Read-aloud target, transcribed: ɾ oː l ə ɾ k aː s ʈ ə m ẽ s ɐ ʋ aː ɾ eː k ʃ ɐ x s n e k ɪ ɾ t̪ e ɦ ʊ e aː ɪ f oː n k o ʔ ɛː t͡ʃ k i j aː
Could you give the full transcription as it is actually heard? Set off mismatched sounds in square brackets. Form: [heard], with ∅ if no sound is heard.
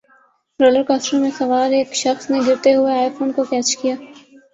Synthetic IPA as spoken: ɾ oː l ə ɾ k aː s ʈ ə m ẽ s ɐ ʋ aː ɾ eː k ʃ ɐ x s n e [ɡ] ɪ ɾ t̪ e ɦ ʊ e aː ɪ f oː n k o [k] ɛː t͡ʃ k i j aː